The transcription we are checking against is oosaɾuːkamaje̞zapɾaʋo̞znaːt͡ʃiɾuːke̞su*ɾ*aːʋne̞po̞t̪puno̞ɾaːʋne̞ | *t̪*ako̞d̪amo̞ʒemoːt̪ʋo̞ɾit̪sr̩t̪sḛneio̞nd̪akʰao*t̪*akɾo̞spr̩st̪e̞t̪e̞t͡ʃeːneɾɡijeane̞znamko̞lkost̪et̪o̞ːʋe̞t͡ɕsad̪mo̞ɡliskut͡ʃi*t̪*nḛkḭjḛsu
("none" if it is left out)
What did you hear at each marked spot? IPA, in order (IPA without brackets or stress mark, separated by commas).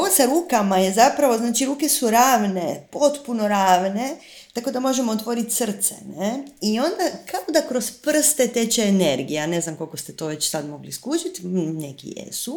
ɾ, t̪, d̪, t̪